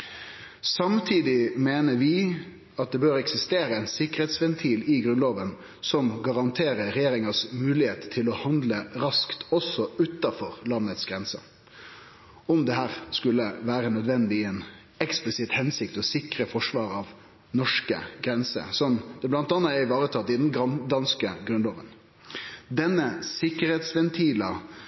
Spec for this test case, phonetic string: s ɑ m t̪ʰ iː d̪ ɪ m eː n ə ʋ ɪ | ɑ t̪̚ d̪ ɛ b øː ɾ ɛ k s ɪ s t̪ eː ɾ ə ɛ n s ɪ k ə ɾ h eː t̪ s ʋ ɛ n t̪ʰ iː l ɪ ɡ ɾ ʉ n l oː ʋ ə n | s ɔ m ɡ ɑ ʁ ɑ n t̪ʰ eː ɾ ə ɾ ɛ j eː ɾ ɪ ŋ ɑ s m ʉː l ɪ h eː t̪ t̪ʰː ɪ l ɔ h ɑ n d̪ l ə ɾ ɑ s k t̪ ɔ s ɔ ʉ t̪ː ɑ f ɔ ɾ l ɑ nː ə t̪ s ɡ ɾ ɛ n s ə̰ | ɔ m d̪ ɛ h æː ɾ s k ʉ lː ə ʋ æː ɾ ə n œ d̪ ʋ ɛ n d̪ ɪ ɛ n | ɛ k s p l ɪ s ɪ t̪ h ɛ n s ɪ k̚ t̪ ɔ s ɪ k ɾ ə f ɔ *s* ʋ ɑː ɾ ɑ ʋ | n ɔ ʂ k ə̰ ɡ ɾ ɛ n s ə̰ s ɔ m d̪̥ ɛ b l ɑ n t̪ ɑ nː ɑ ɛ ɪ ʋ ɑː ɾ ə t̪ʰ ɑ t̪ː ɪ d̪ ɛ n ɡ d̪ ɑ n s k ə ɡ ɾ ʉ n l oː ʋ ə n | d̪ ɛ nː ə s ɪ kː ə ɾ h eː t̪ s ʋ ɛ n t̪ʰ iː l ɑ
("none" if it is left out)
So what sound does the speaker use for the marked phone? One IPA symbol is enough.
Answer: ʂ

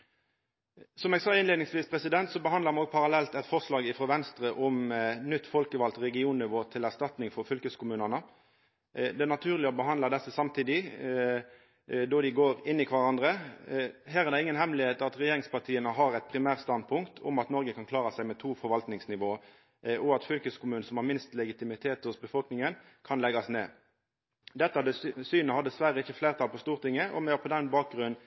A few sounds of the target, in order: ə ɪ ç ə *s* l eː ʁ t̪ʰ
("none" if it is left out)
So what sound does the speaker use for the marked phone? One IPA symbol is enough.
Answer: f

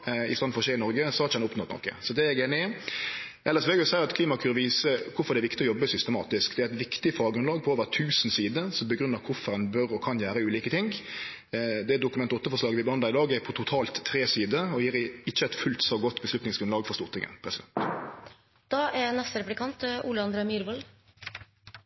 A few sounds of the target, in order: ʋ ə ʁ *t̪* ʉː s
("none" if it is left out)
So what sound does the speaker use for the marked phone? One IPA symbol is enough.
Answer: t̪ʰ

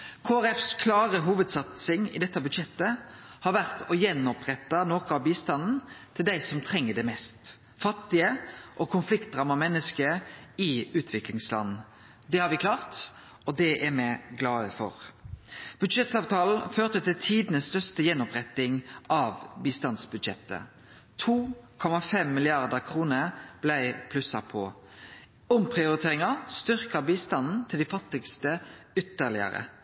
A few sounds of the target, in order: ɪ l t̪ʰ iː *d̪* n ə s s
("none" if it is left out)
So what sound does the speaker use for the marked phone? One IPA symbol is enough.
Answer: d̪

